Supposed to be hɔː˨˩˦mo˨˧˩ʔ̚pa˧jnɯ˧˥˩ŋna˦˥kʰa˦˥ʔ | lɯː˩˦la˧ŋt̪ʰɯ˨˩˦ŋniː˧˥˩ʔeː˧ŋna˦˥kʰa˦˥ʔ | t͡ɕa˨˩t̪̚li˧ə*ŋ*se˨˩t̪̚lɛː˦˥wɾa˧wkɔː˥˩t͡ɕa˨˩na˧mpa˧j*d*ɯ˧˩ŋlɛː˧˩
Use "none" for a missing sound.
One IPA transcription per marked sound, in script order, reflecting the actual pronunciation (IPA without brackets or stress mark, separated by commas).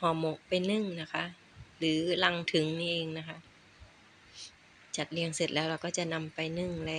ŋ, n